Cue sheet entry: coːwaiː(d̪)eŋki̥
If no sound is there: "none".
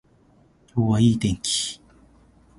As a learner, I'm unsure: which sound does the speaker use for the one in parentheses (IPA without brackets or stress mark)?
t̪